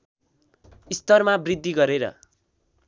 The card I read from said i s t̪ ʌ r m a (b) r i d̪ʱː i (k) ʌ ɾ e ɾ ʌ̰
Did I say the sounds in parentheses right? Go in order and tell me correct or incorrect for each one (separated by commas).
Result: correct, incorrect